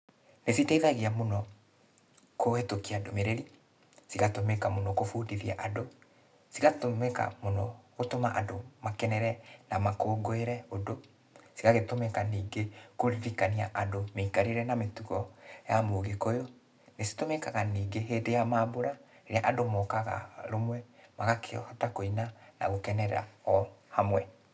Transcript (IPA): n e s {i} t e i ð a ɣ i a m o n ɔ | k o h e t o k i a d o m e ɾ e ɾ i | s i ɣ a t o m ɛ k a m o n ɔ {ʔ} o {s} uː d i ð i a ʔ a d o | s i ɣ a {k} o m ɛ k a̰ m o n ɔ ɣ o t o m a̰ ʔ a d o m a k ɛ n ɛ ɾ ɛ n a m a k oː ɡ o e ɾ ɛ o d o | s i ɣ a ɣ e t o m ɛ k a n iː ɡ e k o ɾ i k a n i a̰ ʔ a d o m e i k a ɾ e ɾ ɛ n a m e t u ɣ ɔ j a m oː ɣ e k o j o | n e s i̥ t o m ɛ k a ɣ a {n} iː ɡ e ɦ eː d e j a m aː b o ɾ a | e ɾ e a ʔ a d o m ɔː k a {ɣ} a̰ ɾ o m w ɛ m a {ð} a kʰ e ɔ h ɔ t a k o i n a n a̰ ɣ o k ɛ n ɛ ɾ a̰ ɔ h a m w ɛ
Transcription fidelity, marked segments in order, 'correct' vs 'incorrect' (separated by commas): correct, incorrect, incorrect, incorrect, correct, correct, incorrect